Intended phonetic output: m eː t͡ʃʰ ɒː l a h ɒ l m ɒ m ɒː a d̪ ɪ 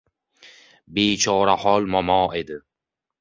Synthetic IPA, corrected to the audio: b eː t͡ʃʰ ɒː ɾ a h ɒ l m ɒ m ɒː e d̪ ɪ